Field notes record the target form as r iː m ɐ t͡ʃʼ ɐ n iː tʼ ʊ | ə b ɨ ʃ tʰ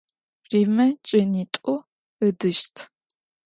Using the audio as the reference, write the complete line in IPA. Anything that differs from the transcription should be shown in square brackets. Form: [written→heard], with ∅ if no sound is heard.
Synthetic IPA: r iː m ɐ t͡ʃʼ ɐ n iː tʼ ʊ | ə [b→d] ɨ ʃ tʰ